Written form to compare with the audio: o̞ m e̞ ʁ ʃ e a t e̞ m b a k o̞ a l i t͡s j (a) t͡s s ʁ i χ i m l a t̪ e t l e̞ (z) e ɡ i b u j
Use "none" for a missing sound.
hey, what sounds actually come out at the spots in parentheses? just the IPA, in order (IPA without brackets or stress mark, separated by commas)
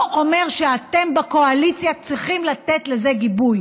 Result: a, z